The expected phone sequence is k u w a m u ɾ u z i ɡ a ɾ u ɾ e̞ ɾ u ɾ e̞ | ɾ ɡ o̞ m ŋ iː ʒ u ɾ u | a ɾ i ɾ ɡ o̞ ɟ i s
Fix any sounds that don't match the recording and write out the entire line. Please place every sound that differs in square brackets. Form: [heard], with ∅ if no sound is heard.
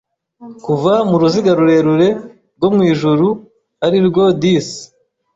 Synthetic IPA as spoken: k u [v] a m u ɾ u z i ɡ a ɾ u ɾ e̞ ɾ u ɾ e̞ | ɾ ɡ o̞ m ŋ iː ʒ u ɾ u | a ɾ i ɾ ɡ o̞ [d] i s